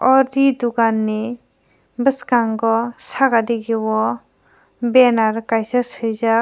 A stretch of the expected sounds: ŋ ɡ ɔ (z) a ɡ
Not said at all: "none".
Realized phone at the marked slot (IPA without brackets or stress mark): s